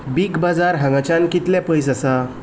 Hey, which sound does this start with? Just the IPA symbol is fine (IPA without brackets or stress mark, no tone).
b